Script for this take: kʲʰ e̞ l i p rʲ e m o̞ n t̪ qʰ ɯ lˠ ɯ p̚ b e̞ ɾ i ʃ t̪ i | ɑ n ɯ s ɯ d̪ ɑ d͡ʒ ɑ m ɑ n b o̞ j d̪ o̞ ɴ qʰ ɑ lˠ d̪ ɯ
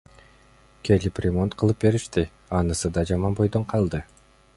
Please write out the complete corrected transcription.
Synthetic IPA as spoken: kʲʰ e̞ l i p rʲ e m o̞ n t̪ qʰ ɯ lˠ ɯ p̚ b e̞ ɾ i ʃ t̪ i | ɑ n ɯ s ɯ d̪ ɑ d͡ʒ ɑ m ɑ n b o̞ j d̪ o̞ ɴ qʰ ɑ lˠ d̪ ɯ